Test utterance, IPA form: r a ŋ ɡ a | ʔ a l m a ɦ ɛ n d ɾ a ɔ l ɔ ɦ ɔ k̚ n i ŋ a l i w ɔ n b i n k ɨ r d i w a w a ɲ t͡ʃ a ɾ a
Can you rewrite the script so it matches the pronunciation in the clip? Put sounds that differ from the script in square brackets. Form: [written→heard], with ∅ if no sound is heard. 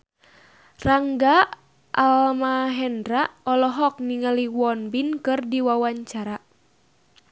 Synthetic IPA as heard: r a ŋ ɡ a | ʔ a l m a ɦ ɛ n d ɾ a ɔ l ɔ ɦ ɔ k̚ n i ŋ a l i w ɔ n b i n k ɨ r d i w a w a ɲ t͡ʃ a ɾ a